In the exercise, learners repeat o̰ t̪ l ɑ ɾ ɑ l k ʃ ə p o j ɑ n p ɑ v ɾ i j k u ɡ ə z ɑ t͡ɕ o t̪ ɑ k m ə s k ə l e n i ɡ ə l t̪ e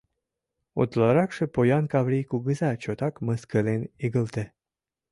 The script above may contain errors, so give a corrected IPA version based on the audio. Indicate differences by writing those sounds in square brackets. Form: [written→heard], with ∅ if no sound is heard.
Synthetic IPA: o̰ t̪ l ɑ ɾ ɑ [l→∅] k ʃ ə p o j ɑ n [p→k] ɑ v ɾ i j k u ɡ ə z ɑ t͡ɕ o t̪ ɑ k m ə s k ə l e n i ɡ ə l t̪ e